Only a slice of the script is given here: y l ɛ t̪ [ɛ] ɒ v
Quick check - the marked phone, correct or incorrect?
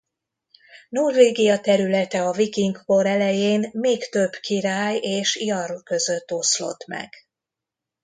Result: correct